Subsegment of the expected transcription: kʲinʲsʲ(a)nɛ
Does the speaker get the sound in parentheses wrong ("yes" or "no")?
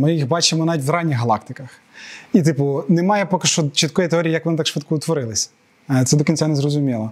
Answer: no